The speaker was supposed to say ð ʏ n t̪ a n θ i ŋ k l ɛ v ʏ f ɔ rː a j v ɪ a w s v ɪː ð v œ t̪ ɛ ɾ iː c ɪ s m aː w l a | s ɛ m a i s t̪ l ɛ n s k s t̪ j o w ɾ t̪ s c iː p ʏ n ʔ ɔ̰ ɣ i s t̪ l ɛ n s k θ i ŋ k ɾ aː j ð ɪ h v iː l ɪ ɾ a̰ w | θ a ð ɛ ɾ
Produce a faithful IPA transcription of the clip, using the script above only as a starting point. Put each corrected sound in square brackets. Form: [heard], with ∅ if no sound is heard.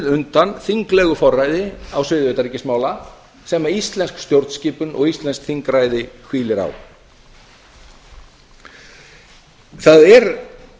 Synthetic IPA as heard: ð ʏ n t̪ a n θ i ŋ k l ɛ [ɣ] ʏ f ɔ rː a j [ð] ɪ a w s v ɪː ð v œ t̪ [a] ɾ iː c ɪ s m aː w l a | s ɛ m a i s t̪ l ɛ n s k s t̪ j o w ɾ t̪ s c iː p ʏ n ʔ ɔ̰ ɣ i s t̪ l ɛ n s k θ i ŋ k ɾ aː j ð ɪ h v iː l ɪ ɾ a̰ w | θ a ð ɛ ɾ